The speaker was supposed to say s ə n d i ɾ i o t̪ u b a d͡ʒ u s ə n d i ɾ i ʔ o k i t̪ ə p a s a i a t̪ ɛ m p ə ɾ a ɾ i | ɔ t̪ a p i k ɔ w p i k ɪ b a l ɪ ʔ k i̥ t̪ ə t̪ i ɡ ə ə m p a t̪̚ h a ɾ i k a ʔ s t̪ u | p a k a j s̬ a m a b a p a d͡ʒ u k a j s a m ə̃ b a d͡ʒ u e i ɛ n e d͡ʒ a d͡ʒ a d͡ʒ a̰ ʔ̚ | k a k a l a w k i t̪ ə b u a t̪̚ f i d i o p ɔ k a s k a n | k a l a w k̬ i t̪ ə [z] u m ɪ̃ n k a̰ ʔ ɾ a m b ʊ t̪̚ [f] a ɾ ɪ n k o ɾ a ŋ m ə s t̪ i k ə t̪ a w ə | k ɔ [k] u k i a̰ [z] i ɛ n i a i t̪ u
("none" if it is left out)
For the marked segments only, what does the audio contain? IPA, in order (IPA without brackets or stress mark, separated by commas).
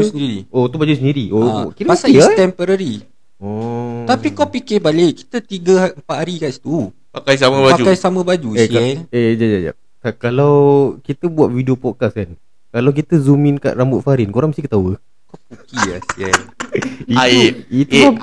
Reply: z, f, p, s